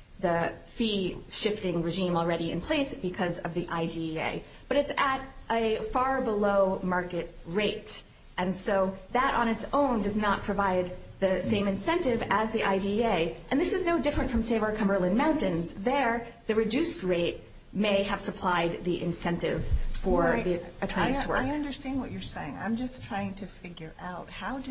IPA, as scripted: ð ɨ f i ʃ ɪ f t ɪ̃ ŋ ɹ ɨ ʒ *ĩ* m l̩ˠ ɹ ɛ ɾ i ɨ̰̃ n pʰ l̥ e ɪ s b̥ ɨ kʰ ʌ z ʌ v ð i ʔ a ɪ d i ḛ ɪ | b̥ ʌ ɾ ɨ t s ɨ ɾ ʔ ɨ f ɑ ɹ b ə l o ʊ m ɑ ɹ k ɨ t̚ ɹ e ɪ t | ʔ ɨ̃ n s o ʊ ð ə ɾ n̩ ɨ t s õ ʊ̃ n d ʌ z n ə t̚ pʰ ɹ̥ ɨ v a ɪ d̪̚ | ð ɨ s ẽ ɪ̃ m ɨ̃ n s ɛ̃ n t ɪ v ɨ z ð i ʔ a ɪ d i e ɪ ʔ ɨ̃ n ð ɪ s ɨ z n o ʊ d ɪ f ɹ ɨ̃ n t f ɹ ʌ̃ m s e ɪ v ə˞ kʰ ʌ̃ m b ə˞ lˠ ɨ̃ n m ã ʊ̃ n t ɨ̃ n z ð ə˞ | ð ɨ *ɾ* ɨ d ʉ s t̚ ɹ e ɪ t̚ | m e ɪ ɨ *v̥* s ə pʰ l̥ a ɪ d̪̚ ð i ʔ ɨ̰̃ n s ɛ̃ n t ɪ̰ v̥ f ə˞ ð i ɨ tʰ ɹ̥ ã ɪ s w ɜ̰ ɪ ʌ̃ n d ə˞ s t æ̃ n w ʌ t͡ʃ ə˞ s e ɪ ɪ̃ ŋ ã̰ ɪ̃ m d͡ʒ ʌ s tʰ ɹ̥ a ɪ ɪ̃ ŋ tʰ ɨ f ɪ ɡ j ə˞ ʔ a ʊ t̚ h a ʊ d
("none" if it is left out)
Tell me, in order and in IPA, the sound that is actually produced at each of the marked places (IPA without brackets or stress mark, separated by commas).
ĩ, ɹ, v̥